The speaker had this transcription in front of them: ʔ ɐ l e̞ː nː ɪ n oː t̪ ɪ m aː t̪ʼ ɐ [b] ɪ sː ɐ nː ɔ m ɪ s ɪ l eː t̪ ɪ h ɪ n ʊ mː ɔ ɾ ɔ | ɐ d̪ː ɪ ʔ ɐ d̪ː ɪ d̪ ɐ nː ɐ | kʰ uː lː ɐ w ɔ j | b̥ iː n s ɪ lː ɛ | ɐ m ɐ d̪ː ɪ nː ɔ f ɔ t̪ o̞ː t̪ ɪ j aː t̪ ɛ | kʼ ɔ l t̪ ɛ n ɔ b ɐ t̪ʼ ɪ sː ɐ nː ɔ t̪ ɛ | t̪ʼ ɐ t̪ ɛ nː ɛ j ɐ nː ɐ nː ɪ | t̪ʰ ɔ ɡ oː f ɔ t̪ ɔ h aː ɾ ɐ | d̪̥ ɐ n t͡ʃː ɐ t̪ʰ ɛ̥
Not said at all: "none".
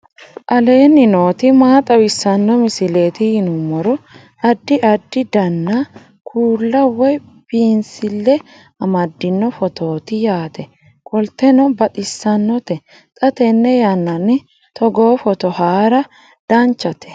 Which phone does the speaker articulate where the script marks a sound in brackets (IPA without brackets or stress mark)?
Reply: w